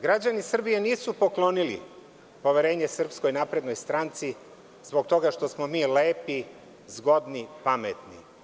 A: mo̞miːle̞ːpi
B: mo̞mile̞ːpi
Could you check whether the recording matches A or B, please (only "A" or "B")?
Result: A